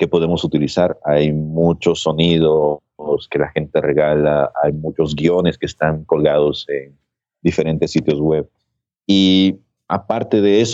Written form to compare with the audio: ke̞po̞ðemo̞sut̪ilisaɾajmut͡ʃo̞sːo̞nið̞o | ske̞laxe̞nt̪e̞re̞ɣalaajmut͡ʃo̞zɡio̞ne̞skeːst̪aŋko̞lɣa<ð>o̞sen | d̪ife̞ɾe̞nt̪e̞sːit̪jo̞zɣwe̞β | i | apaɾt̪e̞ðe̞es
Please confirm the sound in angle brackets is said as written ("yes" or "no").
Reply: yes